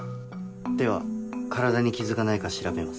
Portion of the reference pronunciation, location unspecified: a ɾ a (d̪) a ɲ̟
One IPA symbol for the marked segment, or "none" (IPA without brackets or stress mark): d̪